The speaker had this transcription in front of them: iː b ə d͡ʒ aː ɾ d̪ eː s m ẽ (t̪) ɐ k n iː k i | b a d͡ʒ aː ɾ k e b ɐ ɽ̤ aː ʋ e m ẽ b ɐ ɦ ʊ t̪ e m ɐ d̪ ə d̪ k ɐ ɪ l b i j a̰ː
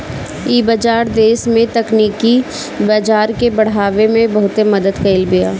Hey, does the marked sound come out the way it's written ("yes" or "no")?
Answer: yes